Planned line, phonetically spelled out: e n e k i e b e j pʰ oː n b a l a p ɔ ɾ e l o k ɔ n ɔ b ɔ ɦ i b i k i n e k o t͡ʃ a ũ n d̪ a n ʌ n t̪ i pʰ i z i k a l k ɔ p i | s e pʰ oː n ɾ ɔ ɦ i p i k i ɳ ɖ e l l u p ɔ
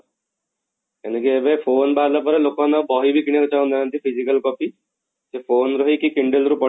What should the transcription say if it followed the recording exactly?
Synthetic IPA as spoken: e n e k i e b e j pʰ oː n b a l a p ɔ ɾ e l o k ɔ n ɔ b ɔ ɦ i b i k i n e k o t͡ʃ a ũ n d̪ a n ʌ n t̪ i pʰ i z i k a l k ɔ p i | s e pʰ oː n ɾ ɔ ɦ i k i k i ɳ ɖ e l ɾ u p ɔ